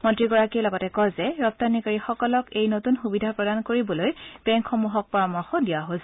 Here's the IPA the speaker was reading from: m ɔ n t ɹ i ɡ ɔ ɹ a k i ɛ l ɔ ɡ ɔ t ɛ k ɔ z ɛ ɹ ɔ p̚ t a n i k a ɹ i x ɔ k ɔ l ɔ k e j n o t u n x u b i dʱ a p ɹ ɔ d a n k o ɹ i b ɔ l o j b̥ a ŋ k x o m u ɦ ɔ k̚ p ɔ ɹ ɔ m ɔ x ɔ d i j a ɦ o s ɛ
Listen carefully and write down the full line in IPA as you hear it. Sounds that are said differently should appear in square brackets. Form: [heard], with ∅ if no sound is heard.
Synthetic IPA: m ɔ n t ɹ i ɡ ɔ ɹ a k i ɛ l ɔ ɡ ɔ t ɛ k ɔ z ɛ ɹ ɔ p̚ t a n i k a ɹ i x ɔ k ɔ l ɔ k e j n o t u n x u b i dʱ a p ɹ ɔ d a n k o ɹ i b ɔ l o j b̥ [ɛ] ŋ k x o m u ɦ ɔ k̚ p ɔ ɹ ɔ m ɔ x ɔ d i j a ɦ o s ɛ